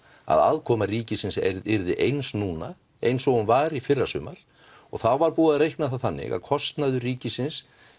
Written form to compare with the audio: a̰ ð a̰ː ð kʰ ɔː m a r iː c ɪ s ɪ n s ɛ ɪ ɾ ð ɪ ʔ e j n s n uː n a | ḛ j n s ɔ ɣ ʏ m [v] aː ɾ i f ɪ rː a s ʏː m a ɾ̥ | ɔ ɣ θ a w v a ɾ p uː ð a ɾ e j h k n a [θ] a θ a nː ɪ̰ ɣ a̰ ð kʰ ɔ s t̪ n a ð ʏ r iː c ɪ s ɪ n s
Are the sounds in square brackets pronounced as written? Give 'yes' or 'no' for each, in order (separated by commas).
yes, yes